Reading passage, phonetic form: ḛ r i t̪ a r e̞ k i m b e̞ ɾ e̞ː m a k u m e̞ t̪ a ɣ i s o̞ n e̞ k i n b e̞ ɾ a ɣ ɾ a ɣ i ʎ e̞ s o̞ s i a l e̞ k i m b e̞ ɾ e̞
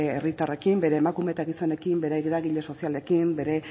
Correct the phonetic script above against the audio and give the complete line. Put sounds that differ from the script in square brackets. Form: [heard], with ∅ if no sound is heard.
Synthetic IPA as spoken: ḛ r i t̪ a r e̞ k i m b e̞ ɾ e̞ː m a k u m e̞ t̪ a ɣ i s o̞ n e̞ k i [m] b e̞ ɾ [e] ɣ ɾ a ɣ i ʎ e̞ s o̞ s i a l e̞ k i m b e̞ ɾ e̞